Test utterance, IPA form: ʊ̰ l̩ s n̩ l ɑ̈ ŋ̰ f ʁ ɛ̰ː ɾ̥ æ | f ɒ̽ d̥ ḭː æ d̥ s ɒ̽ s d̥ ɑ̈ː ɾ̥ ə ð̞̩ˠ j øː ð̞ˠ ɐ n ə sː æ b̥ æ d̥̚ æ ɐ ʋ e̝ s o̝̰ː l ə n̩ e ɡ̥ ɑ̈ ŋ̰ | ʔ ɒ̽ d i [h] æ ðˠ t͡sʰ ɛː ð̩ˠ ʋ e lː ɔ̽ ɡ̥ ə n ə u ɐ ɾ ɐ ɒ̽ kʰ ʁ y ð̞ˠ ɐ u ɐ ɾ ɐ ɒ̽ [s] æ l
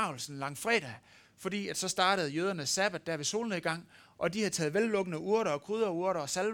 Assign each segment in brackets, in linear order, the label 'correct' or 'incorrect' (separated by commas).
correct, correct